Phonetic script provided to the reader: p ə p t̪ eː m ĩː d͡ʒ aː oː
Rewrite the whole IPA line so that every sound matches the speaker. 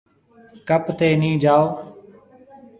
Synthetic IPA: k ə p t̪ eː n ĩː d͡ʒ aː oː